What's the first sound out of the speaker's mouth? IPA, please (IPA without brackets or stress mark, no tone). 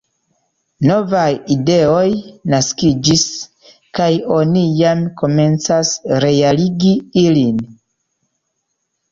n